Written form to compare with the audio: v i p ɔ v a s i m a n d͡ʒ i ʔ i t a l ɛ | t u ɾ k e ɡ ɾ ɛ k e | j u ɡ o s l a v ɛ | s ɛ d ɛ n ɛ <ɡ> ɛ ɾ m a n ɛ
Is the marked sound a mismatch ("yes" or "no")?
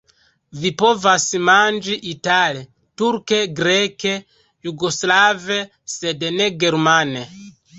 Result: no